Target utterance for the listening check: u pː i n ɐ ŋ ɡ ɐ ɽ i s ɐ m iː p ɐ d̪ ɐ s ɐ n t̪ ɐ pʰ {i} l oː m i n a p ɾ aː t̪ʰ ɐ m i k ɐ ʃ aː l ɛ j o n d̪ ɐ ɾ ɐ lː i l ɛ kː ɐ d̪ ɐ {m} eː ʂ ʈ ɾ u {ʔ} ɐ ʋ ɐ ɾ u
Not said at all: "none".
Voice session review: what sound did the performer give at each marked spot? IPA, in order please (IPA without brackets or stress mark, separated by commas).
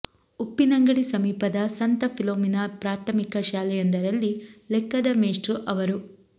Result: i, m, ʔ